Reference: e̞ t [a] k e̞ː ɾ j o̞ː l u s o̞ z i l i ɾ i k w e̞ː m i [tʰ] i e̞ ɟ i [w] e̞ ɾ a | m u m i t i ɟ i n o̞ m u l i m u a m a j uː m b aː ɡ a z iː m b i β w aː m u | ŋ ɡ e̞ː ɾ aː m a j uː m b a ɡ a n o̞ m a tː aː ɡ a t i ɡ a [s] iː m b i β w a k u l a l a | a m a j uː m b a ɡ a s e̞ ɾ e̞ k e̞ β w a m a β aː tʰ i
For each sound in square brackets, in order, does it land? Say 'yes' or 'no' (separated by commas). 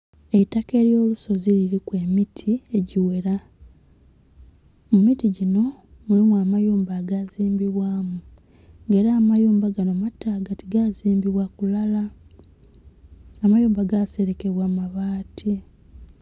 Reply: yes, yes, yes, no